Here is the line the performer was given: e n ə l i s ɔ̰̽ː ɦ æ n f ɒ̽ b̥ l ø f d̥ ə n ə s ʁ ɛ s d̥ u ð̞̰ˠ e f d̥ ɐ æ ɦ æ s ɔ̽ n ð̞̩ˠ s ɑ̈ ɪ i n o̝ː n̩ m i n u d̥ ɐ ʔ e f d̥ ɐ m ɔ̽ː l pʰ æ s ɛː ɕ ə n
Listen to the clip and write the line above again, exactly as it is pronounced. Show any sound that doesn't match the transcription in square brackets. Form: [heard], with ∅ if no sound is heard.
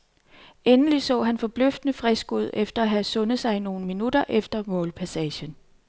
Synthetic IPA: e n ə l i s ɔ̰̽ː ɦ æ n f ɒ̽ b̥ l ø f d̥ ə n ə [f] ʁ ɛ s [ɡ̥] u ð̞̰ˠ e f d̥ ɐ æ ɦ æ s ɔ̽ n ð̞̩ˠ s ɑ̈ ɪ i n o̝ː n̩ m i n u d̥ ɐ ʔ e f d̥ ɐ m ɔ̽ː l pʰ æ s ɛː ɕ ə n